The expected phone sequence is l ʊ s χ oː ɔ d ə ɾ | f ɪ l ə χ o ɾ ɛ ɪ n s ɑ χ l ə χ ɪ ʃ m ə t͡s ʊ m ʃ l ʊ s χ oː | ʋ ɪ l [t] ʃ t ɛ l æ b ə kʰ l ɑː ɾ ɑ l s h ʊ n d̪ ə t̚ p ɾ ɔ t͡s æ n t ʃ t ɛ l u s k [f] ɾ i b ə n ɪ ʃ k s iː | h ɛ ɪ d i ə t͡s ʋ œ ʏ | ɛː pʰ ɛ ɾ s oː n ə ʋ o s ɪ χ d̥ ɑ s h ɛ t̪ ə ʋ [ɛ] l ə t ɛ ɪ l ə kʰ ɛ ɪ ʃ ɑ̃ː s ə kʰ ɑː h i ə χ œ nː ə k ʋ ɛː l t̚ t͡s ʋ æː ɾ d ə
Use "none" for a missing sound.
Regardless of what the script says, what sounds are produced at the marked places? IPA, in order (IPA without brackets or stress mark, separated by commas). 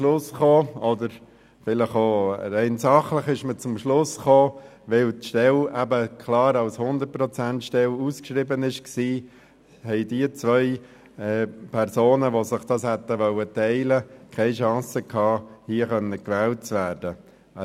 t, ʃ, œ